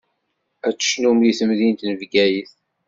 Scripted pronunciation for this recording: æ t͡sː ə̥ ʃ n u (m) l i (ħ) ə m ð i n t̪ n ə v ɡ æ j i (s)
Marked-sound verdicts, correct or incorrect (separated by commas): correct, incorrect, incorrect